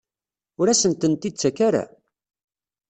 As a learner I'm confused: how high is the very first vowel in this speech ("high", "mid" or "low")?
high